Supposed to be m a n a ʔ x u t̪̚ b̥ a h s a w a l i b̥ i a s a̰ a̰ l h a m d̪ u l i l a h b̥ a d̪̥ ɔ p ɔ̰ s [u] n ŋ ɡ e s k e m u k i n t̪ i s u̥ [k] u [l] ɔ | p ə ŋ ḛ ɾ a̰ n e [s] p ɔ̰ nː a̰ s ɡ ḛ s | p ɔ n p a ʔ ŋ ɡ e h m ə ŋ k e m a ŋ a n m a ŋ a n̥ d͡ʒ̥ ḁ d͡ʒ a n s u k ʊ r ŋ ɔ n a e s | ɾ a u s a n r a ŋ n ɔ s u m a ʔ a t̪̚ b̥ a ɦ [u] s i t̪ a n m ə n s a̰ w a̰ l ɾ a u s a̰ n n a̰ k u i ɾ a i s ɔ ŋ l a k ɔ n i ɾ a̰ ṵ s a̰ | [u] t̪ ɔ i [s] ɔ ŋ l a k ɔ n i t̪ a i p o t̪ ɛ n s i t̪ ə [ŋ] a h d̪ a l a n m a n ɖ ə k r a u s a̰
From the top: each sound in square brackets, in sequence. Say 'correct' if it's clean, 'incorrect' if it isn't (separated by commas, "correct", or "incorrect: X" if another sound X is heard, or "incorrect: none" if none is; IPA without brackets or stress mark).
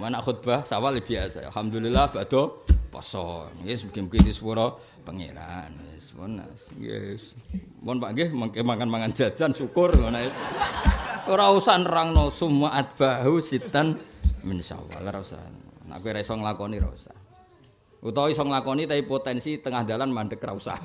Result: incorrect: ɔ, incorrect: p, incorrect: ɾ, correct, correct, correct, correct, correct